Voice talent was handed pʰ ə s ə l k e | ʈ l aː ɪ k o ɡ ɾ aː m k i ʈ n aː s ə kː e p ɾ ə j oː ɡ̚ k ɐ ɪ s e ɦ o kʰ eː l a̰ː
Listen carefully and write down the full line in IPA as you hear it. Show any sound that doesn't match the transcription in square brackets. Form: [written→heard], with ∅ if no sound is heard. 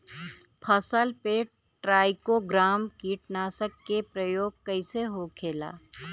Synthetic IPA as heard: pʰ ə s ə l [k→p] e | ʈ [l→ɾ] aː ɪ k o ɡ ɾ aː m k [i→iː] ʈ n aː s ə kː e p ɾ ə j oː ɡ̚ k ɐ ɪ s e ɦ o kʰ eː l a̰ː